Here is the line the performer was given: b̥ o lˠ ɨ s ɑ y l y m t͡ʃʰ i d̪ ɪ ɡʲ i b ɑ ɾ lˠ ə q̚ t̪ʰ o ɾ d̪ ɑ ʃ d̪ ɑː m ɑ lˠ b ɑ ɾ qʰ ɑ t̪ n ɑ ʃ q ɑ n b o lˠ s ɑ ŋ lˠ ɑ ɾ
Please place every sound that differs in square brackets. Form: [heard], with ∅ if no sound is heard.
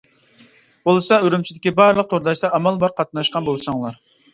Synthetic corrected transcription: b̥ o lˠ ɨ s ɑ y [ɾ] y m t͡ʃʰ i d̪ ɪ [kʲ] i b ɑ ɾ lˠ ə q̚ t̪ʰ o ɾ d̪ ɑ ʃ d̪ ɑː m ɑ lˠ b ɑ ɾ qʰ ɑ t̪ n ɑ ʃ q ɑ n b o lˠ s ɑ ŋ lˠ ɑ ɾ